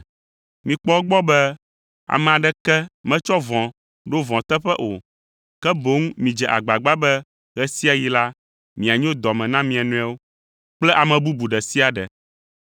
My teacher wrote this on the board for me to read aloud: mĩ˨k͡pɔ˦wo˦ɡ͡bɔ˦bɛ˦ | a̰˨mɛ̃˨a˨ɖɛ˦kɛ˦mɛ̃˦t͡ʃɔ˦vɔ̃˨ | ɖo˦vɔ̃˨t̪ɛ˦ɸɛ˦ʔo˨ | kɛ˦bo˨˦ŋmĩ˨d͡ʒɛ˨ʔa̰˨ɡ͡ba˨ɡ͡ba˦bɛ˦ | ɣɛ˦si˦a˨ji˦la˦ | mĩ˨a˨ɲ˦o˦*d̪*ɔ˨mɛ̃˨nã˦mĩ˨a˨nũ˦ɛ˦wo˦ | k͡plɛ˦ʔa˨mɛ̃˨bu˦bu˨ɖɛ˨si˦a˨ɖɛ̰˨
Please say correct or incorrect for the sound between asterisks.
correct